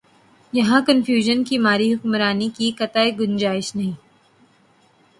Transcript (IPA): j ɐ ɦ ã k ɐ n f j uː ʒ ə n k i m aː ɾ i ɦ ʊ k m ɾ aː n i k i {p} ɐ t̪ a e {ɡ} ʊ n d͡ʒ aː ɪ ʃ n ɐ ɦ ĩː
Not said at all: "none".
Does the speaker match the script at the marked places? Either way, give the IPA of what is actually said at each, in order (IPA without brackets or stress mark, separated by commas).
k, ɡ